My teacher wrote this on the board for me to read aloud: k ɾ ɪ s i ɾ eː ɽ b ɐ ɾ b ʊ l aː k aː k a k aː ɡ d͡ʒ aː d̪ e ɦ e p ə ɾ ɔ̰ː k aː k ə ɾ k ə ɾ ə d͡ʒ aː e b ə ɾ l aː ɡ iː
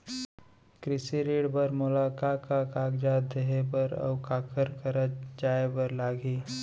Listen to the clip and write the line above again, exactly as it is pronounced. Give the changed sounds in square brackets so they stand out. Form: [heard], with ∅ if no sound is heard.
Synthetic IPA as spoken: k ɾ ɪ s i ɾ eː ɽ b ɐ ɾ [m] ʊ l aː k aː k a k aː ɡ d͡ʒ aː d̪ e ɦ e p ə ɾ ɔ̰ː k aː k ə ɾ k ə ɾ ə d͡ʒ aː e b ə ɾ l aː ɡ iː